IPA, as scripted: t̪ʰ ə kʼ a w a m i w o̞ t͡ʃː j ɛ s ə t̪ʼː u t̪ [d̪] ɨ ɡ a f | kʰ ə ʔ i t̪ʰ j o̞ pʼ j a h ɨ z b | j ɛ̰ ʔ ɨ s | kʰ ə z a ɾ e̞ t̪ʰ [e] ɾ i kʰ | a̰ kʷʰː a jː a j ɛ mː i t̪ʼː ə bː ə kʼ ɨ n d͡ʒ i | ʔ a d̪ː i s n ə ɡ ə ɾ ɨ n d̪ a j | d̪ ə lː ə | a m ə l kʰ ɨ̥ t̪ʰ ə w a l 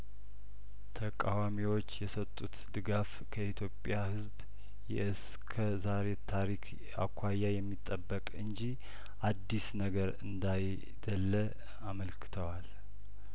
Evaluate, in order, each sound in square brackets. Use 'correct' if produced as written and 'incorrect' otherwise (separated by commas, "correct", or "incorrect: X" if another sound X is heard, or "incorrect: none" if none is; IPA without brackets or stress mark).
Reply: correct, incorrect: a